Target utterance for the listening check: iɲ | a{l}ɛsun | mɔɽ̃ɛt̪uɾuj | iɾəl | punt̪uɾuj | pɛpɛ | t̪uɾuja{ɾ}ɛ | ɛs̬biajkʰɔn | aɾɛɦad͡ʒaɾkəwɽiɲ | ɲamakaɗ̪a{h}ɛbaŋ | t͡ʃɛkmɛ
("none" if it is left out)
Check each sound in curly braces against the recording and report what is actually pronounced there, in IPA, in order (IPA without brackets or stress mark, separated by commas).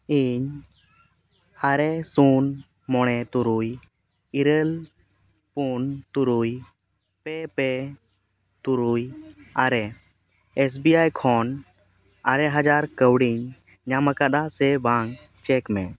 ɾ, ɾ, s